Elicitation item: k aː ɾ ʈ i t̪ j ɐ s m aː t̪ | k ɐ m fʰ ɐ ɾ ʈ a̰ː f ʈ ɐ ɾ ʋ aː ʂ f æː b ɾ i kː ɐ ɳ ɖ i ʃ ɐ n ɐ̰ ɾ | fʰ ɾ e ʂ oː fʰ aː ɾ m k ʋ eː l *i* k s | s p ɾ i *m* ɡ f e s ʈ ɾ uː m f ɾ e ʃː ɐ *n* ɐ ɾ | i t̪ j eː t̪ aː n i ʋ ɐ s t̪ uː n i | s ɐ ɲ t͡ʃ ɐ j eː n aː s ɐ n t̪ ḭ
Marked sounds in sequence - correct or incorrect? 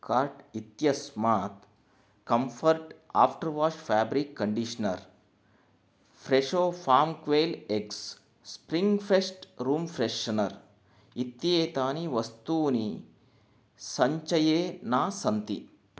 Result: incorrect, incorrect, correct

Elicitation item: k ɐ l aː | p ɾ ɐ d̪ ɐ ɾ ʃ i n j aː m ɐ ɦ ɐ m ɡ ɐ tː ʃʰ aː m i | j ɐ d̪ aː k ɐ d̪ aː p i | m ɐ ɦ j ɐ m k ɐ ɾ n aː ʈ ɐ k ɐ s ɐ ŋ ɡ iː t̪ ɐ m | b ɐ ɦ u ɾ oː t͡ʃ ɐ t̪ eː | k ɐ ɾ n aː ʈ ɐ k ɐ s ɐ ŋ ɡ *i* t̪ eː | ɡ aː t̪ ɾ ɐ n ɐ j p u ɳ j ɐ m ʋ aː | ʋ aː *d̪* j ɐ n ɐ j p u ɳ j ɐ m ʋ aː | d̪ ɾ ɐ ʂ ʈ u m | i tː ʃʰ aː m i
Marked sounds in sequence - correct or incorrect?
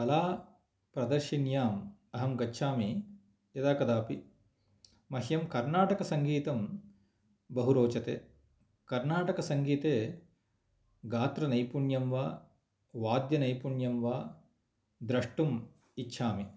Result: incorrect, correct

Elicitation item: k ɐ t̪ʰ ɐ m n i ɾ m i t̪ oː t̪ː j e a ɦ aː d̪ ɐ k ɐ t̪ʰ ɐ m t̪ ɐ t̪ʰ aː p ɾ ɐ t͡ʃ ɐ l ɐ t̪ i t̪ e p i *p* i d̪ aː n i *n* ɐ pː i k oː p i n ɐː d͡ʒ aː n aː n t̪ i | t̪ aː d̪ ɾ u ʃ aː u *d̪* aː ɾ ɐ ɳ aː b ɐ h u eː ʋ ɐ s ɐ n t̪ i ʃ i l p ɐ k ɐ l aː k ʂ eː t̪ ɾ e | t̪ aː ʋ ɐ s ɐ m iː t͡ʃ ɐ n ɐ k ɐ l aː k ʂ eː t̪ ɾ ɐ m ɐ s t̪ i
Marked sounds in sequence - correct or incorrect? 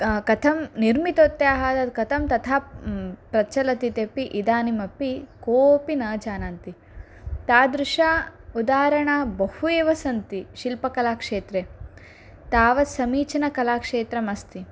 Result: incorrect, incorrect, correct

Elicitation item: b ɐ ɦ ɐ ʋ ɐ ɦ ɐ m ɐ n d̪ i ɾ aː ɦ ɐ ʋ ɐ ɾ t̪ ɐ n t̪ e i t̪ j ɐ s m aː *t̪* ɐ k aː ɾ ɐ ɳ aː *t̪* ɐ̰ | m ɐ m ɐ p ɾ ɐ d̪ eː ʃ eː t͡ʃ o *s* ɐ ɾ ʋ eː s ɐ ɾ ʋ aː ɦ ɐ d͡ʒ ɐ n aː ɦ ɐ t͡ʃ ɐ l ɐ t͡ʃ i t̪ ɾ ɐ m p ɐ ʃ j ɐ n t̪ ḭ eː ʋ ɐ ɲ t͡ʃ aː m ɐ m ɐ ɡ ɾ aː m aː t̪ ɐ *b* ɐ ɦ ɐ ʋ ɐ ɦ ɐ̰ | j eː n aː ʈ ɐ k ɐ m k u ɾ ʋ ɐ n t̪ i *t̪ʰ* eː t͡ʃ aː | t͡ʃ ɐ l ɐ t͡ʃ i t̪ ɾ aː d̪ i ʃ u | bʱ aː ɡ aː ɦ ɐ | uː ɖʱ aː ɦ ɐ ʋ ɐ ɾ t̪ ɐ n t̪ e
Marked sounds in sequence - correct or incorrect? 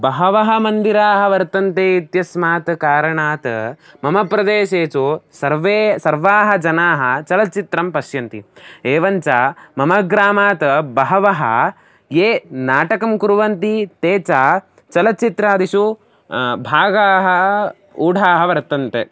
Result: correct, correct, correct, correct, incorrect

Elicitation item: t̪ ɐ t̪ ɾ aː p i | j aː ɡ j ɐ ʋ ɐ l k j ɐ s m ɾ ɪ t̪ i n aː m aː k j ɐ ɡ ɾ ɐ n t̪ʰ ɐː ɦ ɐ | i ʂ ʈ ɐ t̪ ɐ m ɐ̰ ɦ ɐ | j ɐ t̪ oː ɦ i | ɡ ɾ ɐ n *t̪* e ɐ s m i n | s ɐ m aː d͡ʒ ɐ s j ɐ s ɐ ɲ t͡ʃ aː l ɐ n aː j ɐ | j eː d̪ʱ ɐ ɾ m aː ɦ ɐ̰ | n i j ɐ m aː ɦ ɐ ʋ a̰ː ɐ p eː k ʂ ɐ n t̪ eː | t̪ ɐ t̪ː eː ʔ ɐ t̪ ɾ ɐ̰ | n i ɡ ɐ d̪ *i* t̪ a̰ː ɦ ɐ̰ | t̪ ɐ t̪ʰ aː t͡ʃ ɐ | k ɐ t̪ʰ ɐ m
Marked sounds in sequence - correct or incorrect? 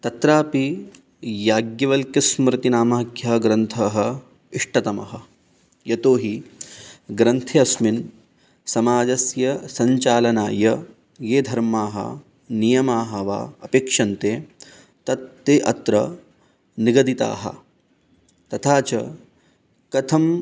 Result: incorrect, correct

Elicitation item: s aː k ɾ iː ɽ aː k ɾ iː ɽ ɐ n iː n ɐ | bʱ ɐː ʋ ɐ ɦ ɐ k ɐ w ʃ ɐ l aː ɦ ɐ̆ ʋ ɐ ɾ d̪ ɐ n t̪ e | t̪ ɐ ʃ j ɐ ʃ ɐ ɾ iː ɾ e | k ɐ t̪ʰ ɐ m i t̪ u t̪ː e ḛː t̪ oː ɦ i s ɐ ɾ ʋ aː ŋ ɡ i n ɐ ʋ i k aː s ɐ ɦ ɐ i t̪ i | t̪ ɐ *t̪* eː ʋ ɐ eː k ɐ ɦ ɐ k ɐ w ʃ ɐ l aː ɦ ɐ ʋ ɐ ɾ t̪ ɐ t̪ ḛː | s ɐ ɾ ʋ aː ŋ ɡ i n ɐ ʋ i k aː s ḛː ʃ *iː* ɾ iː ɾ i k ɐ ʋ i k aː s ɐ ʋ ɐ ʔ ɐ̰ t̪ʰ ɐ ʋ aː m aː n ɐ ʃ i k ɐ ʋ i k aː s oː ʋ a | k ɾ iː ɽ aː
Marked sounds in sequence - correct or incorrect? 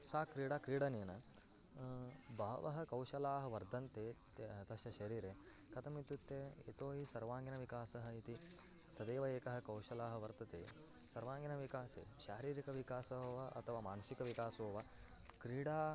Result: incorrect, incorrect

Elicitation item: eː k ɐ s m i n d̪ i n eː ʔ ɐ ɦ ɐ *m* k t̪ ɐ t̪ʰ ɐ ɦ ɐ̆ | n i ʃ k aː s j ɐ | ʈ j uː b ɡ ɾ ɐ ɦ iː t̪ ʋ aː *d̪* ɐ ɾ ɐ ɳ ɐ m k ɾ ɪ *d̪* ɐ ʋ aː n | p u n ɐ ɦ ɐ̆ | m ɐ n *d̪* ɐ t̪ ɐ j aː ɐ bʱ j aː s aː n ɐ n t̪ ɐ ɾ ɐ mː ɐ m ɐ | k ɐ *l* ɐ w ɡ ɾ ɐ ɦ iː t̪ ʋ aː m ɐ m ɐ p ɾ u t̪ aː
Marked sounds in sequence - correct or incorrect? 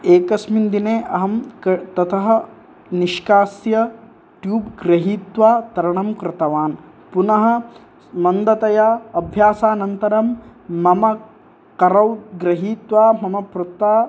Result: correct, incorrect, incorrect, correct, incorrect

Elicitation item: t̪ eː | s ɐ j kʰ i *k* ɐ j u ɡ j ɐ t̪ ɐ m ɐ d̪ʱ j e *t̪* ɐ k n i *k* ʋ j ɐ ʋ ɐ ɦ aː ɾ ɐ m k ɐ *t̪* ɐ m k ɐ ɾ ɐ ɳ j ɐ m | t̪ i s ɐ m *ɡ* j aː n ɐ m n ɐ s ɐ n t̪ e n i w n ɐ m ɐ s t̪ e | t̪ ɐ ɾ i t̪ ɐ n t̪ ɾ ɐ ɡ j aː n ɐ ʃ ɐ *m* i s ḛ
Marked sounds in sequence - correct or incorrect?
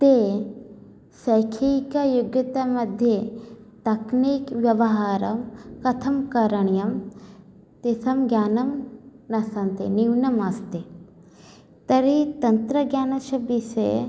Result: correct, correct, correct, incorrect, correct, incorrect

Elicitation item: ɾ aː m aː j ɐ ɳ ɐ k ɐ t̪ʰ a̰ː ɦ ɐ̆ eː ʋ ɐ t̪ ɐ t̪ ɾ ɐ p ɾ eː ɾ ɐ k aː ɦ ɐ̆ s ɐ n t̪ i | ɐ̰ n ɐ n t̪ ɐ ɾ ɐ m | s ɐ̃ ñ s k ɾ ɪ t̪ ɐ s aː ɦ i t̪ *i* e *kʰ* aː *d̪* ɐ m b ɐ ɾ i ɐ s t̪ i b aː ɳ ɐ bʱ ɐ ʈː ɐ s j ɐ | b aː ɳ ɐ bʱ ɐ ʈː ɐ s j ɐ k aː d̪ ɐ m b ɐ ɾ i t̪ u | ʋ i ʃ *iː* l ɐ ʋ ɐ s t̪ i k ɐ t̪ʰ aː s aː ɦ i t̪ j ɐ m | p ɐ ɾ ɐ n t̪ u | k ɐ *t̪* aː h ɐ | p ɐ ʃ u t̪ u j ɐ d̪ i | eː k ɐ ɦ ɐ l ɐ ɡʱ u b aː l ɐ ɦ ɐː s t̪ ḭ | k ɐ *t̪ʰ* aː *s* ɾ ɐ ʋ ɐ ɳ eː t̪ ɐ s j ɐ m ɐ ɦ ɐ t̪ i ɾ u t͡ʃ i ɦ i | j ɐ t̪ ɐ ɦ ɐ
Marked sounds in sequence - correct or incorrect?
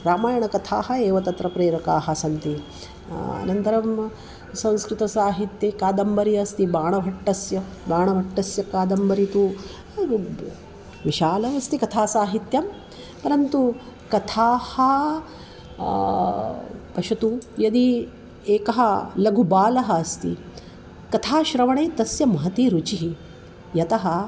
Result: incorrect, incorrect, correct, incorrect, incorrect, correct, incorrect

